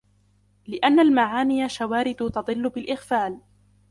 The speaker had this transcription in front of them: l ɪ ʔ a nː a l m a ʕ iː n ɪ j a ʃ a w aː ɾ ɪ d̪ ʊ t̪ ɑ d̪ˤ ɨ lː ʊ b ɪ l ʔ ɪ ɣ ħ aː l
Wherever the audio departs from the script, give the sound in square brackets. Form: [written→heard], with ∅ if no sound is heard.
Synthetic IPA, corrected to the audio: l ɪ ʔ a nː a l m a ʕ [iː→aː] n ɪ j a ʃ a w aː ɾ ɪ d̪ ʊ t̪ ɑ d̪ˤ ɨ lː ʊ b ɪ l ʔ ɪ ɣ [ħ→f] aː l